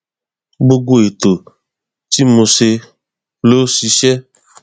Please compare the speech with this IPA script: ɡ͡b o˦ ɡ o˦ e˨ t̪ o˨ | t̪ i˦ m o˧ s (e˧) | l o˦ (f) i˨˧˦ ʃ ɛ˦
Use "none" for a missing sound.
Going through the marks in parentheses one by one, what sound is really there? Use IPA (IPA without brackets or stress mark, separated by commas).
e˧, s